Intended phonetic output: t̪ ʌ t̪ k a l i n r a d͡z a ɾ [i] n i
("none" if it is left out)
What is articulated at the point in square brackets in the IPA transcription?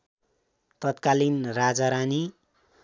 a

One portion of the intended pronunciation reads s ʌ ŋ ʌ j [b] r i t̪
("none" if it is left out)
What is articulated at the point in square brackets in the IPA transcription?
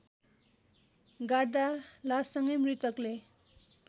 m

